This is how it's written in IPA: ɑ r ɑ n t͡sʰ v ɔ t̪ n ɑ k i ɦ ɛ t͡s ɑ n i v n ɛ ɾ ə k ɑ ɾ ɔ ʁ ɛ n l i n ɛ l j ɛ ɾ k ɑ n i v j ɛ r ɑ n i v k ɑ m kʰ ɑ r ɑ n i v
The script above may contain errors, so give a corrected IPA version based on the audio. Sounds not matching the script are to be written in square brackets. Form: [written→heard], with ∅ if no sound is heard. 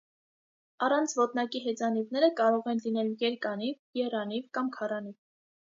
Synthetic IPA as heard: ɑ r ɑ n t͡sʰ v ɔ t̪ n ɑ k i ɦ ɛ t͡s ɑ n i v n ɛ ɾ ə k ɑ ɾ ɔ ʁ ɛ n l i n ɛ l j ɛ ɾ k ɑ n i v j ɛ r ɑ n i v k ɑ m kʰ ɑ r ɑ n i v